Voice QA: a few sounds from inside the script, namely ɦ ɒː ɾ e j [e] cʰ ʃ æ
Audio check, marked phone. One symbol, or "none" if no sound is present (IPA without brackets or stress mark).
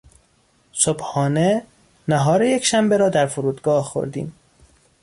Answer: e